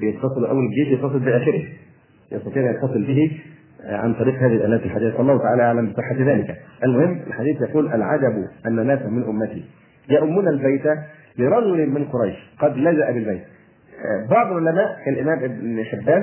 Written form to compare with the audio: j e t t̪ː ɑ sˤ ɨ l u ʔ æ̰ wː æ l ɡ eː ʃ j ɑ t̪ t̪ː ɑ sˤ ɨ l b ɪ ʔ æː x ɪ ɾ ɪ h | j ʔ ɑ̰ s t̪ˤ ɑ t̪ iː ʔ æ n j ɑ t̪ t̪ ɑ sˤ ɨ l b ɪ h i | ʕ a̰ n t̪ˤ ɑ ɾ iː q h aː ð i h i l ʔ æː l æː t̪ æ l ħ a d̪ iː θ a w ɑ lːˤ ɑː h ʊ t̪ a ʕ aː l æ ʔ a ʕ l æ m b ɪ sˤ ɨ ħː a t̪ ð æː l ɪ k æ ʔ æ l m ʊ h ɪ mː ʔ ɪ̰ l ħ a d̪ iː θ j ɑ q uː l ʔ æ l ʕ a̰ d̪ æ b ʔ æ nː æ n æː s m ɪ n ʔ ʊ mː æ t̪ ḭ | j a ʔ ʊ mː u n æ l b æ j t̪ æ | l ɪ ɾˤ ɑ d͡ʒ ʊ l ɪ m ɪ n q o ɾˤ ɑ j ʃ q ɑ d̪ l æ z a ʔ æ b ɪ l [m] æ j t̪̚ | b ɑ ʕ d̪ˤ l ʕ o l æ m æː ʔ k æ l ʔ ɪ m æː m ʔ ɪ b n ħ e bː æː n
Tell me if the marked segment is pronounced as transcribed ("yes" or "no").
no